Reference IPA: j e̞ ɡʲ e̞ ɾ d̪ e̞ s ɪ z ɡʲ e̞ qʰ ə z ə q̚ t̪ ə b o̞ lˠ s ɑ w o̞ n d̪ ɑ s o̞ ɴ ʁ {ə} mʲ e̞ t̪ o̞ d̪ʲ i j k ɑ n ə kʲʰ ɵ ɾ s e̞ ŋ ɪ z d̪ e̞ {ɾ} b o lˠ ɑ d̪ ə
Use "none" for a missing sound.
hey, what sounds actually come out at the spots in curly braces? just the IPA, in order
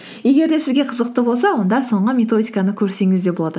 ə, none

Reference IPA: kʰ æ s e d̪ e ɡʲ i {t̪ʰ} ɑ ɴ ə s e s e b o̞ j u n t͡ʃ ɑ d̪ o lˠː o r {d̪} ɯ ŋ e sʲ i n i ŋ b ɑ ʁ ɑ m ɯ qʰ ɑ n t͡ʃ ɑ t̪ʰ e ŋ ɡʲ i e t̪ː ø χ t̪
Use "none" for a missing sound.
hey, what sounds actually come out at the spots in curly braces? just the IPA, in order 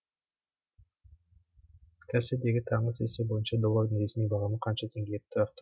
t̪ʰ, d̪

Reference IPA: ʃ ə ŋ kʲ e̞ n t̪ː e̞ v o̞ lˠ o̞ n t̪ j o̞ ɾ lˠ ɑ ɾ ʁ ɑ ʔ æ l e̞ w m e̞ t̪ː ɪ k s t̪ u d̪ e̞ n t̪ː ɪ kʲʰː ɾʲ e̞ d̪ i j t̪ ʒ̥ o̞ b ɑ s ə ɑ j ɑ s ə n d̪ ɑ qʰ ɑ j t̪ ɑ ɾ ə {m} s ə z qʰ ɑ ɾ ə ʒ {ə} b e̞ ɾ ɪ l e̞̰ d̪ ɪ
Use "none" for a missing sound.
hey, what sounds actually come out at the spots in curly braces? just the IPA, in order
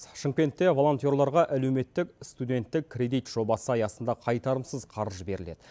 m, ə

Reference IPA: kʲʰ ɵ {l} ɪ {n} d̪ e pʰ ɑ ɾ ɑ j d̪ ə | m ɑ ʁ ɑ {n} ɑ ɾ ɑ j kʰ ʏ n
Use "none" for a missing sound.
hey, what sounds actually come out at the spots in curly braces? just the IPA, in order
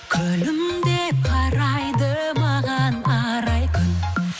l, m, n

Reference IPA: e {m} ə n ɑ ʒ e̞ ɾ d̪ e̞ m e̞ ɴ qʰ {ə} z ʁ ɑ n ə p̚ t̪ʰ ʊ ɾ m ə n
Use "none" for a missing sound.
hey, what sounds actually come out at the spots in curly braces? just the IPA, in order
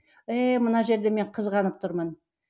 m, ə

